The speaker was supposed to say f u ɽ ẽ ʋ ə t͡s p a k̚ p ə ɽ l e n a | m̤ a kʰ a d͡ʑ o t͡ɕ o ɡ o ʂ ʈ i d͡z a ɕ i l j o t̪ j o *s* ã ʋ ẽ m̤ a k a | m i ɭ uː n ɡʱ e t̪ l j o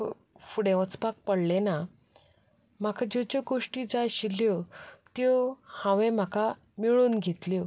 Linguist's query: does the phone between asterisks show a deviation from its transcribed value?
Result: yes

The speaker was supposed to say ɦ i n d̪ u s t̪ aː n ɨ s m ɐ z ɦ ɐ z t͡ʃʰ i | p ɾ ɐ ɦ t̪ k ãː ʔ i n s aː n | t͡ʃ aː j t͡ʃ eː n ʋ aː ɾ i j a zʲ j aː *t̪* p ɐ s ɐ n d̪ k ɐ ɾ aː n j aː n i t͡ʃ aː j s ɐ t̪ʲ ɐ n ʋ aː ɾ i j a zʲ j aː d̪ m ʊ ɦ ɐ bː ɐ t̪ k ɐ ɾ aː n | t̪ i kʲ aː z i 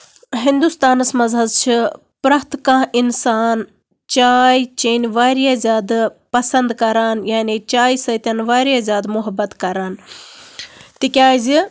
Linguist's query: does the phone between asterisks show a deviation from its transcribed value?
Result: yes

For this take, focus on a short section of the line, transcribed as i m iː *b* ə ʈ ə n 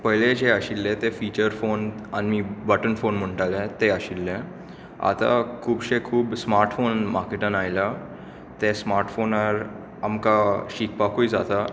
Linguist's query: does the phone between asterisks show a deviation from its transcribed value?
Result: no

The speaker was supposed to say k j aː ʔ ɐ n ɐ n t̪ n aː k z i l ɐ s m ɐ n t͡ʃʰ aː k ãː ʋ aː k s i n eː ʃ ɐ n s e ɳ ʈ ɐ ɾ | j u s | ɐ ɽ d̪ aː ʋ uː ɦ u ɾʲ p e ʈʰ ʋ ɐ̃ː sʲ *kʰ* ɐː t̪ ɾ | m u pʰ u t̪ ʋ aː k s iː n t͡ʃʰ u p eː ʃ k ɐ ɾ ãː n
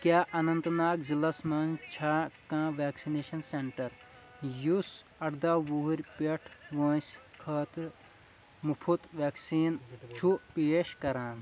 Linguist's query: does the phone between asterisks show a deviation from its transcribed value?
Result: no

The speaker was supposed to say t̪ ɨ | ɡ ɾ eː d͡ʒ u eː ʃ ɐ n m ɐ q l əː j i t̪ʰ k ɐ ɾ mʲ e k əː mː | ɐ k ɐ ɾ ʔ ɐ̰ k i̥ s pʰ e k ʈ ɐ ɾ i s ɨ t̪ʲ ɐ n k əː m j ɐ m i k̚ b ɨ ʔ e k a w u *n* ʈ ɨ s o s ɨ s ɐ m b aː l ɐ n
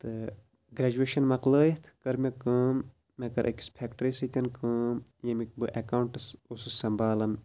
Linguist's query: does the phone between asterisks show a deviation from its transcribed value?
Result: yes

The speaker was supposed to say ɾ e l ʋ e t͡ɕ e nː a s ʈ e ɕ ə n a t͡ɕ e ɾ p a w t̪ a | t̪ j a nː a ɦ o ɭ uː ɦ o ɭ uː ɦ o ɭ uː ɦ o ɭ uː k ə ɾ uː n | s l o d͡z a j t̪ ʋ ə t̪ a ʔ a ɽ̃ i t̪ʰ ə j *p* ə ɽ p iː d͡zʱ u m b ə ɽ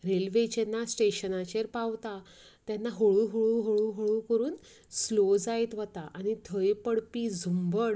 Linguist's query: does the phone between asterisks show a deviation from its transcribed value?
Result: no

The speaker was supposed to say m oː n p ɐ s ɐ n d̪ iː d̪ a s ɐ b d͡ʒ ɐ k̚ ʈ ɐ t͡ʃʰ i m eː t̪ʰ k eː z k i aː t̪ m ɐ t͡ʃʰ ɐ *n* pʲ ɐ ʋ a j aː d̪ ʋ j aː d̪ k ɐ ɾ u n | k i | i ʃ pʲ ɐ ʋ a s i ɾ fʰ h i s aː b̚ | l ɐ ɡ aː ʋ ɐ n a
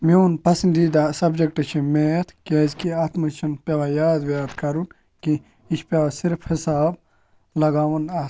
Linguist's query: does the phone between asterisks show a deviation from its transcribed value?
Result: no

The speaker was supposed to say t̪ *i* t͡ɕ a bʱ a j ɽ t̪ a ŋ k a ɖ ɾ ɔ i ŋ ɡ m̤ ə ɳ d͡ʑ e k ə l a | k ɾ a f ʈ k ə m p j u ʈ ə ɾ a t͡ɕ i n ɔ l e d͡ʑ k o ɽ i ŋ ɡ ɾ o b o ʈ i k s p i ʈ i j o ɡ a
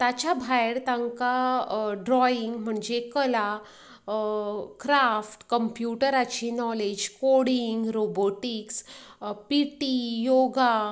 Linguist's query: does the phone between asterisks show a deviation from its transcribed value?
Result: yes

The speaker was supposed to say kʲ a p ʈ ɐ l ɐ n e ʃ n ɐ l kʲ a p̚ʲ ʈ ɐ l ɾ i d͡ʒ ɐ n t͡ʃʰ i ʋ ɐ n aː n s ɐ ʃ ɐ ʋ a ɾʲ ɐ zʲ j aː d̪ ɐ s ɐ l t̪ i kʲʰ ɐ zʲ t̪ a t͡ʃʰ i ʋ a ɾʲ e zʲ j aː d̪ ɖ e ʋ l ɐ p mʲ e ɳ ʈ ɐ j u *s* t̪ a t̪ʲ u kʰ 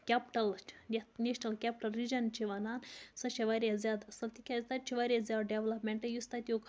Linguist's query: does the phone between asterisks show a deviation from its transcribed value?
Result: no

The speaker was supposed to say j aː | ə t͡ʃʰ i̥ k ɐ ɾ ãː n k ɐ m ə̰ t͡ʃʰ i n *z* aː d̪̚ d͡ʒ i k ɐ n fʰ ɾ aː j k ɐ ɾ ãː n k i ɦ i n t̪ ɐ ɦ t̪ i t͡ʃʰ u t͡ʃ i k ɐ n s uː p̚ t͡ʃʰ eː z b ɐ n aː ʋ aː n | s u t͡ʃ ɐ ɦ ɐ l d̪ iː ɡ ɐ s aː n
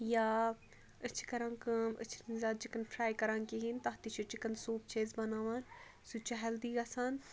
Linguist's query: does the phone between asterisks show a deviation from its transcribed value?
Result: no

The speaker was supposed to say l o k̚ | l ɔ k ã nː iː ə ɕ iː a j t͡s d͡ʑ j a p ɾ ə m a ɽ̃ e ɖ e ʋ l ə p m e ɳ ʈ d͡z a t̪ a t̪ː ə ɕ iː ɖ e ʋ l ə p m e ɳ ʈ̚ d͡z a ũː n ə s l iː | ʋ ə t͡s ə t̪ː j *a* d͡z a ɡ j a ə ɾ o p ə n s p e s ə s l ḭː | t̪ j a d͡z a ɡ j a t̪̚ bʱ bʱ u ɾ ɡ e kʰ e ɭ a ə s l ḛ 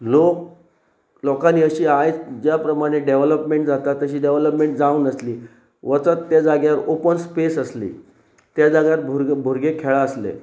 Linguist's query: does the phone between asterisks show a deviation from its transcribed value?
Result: no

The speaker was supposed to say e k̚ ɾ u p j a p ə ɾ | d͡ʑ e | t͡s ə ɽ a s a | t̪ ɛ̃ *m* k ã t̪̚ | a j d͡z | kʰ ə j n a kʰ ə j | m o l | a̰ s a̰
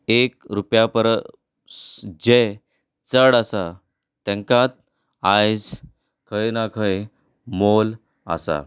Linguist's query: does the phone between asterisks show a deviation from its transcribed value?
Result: yes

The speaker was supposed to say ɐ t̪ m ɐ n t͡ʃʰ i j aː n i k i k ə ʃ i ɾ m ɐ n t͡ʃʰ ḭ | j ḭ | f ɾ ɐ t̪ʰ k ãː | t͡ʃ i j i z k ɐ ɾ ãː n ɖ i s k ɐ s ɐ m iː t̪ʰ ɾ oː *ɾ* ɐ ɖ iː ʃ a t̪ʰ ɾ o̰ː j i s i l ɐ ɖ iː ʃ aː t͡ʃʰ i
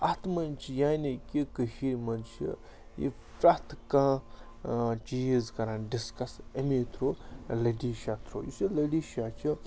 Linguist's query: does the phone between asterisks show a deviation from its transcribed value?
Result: yes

